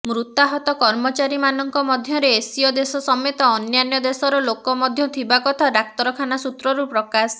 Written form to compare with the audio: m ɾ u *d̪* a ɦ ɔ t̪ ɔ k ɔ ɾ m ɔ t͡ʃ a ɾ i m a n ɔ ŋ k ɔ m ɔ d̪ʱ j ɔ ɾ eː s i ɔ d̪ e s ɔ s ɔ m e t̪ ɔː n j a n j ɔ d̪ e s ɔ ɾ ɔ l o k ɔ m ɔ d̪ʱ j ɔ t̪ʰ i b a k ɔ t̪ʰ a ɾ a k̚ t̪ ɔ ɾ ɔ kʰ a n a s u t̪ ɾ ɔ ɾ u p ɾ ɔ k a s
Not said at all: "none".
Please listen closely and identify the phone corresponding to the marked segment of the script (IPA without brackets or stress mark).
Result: t̪